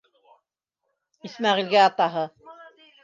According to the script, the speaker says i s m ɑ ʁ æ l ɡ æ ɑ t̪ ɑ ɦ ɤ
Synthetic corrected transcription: i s m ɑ ʁ i l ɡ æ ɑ t̪ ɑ ɦ ɤ